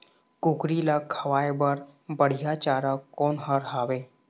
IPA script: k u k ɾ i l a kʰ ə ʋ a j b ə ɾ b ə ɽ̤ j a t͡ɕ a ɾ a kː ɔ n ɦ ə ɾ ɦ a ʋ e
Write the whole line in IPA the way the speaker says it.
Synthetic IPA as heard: k u k ɾ i l a kʰ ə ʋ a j b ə ɾ b ə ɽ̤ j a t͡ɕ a ɾ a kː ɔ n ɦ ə ɾ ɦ a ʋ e